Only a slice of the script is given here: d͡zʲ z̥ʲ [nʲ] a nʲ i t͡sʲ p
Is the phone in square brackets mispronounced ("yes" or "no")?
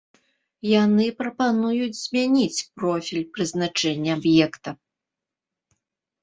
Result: yes